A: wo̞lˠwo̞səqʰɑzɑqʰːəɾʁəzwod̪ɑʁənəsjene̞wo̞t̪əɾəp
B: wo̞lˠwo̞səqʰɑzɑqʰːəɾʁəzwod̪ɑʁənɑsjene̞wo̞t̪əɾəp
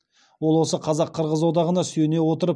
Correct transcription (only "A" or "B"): B